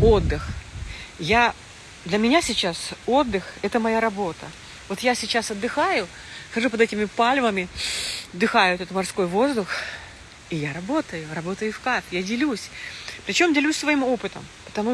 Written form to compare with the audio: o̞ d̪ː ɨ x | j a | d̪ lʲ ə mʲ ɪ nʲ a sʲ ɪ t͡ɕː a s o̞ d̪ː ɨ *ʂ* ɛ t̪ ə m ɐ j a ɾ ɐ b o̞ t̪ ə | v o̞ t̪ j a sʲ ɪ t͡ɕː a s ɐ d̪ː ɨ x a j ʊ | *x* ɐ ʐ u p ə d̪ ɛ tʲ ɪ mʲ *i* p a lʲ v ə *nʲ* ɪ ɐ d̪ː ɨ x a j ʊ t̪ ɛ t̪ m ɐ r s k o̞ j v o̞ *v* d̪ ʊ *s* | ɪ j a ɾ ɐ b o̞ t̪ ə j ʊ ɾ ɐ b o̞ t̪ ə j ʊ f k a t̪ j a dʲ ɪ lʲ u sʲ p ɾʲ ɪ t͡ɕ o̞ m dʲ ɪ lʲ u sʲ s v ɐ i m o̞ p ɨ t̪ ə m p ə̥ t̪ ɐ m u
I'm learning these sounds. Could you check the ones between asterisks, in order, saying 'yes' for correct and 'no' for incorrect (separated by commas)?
no, yes, no, no, no, no